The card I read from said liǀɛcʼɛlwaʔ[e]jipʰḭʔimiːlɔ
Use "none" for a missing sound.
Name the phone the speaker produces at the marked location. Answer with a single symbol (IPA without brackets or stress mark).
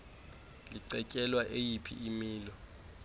e